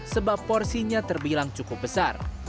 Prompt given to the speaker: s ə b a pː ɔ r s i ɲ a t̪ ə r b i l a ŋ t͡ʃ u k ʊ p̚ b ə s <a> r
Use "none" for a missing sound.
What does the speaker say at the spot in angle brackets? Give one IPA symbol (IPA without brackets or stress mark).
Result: a